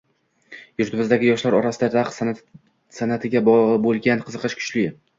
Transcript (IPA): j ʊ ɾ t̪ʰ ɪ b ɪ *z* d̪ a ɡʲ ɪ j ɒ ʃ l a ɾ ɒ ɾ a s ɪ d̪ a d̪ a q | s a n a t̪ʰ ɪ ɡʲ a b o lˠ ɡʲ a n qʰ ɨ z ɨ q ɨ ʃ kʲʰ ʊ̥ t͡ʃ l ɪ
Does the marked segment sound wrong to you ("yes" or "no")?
no